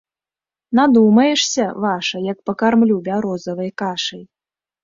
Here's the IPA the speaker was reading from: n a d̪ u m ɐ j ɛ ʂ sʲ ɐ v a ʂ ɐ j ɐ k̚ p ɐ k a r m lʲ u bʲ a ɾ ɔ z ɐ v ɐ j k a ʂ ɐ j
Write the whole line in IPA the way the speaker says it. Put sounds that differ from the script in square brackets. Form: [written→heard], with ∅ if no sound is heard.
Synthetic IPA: n a d̪ u m ɐ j ɛ ʂ sʲ ɐ v a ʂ ɐ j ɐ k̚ p ɐ k a r m lʲ u bʲ a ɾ ɔ z ɐ v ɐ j k a ʂ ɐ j

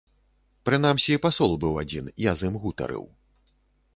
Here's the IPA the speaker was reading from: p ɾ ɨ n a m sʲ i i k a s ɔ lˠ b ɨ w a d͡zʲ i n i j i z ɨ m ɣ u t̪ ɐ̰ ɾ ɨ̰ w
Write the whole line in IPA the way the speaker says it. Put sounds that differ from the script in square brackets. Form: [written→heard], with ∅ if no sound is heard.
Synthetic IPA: p ɾ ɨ n a m sʲ i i [k→p] a s ɔ lˠ b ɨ w a d͡zʲ i n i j [i→a] z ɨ m ɣ u t̪ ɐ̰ ɾ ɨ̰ w

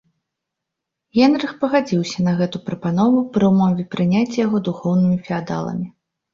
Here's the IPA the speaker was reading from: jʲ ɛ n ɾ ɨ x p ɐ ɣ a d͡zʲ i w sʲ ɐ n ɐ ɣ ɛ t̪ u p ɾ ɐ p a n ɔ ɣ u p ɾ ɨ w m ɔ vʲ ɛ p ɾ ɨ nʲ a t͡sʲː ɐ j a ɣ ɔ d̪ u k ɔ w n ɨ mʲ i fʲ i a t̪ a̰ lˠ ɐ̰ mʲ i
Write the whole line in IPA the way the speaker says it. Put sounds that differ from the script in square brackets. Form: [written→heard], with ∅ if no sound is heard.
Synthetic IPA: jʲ ɛ n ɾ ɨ x p ɐ ɣ a d͡zʲ i w sʲ ɐ n ɐ ɣ ɛ t̪ u p ɾ ɐ p a n ɔ [ɣ→v] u p ɾ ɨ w m ɔ vʲ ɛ p ɾ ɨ nʲ a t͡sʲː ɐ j a ɣ ɔ d̪ u [k→x] ɔ w n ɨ mʲ i fʲ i a [t̪→d̪] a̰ lˠ ɐ̰ mʲ i

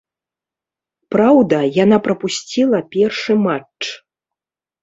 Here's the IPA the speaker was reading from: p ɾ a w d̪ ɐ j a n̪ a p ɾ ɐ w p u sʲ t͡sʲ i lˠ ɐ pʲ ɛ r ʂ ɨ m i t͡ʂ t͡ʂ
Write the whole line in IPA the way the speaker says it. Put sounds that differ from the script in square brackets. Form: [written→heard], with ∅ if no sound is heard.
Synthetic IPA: p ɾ a w d̪ ɐ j a n̪ a p ɾ ɐ [w→∅] p u sʲ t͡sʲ i lˠ ɐ pʲ ɛ r ʂ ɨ m [i→a] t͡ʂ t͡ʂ

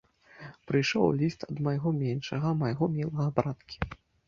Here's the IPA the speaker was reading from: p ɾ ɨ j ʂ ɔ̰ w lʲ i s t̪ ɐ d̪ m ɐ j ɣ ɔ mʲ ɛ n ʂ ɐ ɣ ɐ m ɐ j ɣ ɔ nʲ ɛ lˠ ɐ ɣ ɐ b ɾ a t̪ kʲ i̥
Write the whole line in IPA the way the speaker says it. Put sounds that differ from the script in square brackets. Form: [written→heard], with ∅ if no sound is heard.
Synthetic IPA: p ɾ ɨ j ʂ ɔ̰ w lʲ i s t̪ ɐ d̪ m ɐ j ɣ ɔ mʲ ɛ n ʂ ɐ ɣ ɐ m ɐ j ɣ ɔ [nʲ→mʲ] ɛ lˠ ɐ ɣ ɐ b ɾ a t̪ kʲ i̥

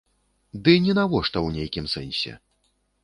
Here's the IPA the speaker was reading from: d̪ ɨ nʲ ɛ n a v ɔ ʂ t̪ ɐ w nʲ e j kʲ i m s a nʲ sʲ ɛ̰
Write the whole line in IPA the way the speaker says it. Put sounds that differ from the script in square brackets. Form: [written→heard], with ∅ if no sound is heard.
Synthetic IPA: d̪ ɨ nʲ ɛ n a v ɔ ʂ t̪ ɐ w nʲ e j kʲ i m s [a→ɛ] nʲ sʲ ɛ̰

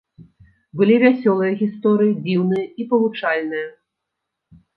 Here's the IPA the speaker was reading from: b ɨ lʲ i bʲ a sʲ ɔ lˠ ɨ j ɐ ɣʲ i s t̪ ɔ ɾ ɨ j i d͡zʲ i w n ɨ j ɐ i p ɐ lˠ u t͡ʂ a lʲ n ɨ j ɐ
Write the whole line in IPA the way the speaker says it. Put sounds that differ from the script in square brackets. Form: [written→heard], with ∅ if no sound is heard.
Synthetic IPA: b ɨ lʲ i [bʲ→vʲ] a sʲ ɔ lˠ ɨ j ɐ ɣʲ i s t̪ ɔ ɾ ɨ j i d͡zʲ i w n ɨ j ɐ i p ɐ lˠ u t͡ʂ a lʲ n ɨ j ɐ

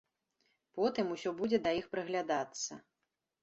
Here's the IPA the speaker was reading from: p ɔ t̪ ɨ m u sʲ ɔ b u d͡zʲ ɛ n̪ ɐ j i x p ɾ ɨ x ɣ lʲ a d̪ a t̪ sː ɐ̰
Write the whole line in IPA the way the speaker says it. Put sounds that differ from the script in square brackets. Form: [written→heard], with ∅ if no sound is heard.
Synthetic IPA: p ɔ t̪ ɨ m u sʲ ɔ b u d͡zʲ ɛ [n̪→d̪] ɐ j i x p ɾ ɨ [x→∅] ɣ lʲ a d̪ a t̪ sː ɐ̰

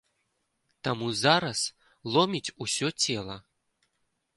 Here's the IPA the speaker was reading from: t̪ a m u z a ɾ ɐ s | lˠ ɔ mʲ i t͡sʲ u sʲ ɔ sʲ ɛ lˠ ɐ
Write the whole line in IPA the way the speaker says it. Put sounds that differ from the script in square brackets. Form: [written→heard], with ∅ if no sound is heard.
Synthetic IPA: t̪ a m u z a ɾ ɐ s | lˠ ɔ mʲ i t͡sʲ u sʲ ɔ [sʲ→t͡sʲ] ɛ lˠ ɐ

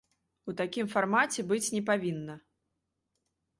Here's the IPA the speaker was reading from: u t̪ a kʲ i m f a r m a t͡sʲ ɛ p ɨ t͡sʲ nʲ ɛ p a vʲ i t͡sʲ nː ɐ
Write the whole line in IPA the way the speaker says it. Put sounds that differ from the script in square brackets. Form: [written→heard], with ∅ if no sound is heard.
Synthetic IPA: u t̪ a kʲ i m f a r m a t͡sʲ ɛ [p→b] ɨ t͡sʲ nʲ ɛ p a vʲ i [t͡sʲ→∅] nː ɐ

